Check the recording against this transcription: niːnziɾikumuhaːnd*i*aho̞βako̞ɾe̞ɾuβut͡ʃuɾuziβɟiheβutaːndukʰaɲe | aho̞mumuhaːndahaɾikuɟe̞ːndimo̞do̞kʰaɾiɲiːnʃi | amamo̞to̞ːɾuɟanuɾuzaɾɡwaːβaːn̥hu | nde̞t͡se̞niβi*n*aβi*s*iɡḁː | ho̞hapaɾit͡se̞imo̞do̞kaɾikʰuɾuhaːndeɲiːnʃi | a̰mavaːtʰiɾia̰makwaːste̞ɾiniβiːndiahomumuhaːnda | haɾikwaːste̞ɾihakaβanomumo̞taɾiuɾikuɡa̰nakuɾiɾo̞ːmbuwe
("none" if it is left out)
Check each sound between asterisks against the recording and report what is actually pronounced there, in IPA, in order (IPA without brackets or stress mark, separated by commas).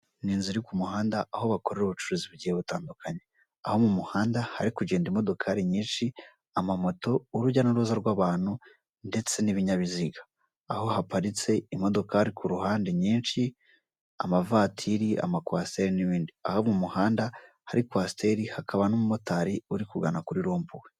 a, ɲ, z